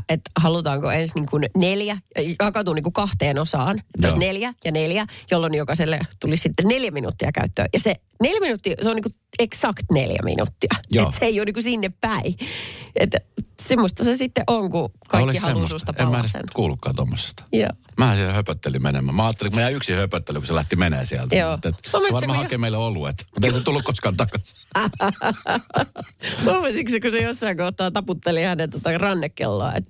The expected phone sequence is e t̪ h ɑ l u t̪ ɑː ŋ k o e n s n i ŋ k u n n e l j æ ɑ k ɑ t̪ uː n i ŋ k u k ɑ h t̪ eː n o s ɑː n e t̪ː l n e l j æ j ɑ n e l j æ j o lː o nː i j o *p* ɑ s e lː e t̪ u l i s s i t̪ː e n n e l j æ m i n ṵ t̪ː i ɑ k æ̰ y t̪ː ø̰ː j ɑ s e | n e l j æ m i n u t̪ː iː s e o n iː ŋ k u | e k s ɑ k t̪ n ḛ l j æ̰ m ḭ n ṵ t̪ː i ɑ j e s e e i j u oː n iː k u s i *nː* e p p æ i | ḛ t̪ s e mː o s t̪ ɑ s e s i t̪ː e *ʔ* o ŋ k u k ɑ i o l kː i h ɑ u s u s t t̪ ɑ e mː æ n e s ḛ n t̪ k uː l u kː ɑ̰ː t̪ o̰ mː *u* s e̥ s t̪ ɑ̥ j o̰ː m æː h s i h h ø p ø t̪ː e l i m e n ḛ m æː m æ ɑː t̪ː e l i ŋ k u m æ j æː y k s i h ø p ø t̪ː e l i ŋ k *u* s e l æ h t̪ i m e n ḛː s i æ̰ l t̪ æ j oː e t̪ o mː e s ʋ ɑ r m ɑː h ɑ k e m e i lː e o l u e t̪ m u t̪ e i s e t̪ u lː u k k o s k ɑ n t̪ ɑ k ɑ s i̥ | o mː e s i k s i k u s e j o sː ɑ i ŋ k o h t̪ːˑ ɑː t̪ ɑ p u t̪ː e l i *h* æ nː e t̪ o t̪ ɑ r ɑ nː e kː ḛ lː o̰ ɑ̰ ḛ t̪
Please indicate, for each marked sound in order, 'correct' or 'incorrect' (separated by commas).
incorrect, correct, correct, incorrect, correct, correct